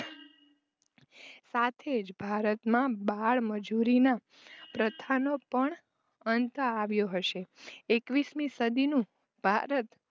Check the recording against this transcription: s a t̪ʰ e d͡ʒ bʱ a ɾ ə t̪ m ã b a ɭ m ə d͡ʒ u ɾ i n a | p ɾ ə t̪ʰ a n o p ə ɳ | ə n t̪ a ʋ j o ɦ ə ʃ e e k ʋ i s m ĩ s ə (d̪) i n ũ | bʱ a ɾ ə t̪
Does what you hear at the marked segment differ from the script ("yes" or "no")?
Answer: no